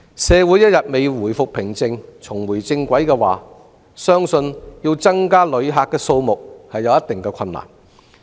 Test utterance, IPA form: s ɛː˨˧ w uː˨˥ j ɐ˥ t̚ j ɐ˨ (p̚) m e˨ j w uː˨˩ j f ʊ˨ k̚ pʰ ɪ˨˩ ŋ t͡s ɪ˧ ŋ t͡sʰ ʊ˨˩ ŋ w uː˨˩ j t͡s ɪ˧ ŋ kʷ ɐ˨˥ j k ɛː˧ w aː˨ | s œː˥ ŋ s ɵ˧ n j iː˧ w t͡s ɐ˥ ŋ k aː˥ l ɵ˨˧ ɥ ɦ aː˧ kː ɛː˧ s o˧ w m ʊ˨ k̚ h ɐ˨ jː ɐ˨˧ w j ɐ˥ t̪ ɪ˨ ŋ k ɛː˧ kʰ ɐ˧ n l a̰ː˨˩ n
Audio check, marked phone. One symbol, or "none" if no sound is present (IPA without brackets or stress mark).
t̚